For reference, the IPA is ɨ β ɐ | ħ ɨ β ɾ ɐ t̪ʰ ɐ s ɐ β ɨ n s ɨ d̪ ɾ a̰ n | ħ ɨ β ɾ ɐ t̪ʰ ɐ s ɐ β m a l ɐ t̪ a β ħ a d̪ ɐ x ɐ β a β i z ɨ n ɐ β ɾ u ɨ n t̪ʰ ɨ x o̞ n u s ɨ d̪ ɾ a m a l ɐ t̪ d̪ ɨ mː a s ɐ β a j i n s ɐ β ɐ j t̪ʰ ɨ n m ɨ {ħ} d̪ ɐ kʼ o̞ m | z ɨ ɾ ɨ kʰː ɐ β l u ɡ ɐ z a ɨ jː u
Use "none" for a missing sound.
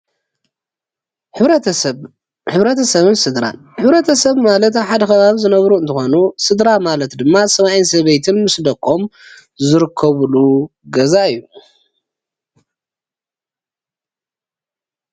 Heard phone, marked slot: s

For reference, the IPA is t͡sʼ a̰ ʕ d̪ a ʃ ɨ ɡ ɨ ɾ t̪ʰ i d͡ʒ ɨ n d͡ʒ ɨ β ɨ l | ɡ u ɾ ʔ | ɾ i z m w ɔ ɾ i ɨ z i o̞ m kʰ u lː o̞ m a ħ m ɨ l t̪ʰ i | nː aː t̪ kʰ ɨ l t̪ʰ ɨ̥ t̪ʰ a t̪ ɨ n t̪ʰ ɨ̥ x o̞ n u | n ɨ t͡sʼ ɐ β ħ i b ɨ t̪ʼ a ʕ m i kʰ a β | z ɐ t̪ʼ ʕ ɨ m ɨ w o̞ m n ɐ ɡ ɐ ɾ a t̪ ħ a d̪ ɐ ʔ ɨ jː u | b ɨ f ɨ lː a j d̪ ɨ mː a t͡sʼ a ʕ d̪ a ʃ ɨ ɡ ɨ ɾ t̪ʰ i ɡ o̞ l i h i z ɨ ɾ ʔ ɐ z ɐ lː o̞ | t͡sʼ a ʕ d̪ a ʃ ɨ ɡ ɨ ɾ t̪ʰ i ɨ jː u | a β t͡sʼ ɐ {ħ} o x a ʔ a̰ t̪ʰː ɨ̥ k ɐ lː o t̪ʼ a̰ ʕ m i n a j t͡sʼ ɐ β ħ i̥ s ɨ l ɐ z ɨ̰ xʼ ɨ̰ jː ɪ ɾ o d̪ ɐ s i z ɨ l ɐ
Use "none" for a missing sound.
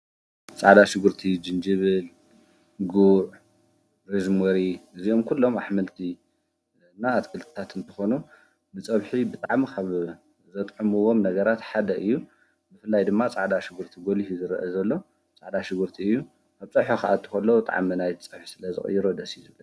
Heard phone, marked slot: ħ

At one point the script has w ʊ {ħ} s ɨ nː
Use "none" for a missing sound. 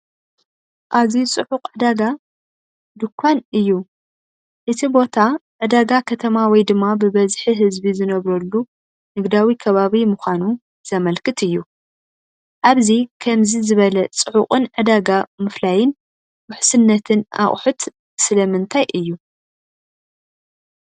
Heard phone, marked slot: ħ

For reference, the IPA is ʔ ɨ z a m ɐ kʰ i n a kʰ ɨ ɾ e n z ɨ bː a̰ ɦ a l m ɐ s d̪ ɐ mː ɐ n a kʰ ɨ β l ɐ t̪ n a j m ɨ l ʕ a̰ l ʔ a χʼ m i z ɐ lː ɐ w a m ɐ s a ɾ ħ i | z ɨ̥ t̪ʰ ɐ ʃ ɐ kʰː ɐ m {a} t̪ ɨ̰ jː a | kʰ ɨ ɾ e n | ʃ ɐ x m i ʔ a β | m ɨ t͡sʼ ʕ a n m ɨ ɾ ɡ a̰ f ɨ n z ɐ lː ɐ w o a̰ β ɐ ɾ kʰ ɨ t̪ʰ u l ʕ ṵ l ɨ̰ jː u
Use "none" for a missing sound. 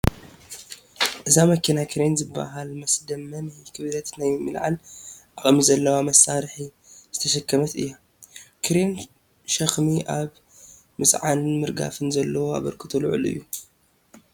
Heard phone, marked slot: ɐ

